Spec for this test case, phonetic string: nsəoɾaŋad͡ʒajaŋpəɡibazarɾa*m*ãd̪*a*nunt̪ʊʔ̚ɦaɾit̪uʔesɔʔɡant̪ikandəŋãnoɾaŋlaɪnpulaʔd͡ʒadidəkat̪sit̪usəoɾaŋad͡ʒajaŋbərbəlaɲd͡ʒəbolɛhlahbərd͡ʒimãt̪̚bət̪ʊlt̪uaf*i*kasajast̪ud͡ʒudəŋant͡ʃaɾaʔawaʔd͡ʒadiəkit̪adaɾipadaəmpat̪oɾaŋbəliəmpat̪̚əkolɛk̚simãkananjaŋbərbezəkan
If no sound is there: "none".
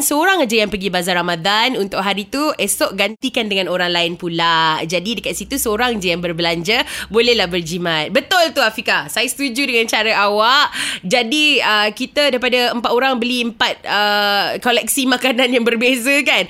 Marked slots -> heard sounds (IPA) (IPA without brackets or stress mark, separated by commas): m, a, i